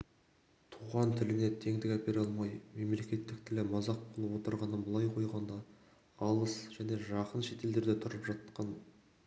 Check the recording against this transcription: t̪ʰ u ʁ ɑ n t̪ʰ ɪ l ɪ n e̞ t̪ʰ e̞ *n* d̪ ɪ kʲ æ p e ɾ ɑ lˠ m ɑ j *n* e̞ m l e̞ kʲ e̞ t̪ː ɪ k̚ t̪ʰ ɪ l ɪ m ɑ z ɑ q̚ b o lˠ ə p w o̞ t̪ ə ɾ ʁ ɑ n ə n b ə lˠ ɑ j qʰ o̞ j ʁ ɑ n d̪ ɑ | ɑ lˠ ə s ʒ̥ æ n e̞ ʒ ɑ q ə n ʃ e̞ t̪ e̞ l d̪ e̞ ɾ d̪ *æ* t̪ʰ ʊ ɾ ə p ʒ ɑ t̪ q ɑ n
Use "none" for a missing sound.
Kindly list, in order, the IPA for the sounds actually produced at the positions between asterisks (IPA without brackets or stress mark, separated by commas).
ŋ, m, e